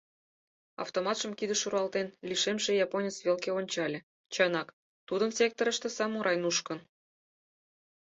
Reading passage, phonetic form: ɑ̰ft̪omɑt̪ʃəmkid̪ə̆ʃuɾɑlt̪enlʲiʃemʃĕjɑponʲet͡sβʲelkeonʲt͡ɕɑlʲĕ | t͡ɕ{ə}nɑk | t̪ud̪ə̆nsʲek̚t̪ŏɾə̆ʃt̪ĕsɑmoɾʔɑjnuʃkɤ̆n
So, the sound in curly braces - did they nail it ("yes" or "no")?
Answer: no